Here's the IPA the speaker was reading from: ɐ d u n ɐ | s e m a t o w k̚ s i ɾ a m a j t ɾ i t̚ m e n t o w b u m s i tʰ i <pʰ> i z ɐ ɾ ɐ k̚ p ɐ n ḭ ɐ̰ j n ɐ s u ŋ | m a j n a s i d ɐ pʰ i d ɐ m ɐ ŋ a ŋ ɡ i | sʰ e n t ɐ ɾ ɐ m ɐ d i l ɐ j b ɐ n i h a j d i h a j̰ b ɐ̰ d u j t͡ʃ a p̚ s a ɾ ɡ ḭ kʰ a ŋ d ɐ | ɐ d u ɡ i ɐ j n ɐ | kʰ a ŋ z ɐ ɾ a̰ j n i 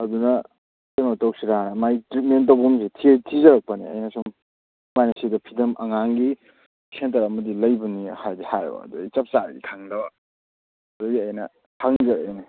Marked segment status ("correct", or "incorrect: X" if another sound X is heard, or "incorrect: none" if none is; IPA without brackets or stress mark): incorrect: tʰ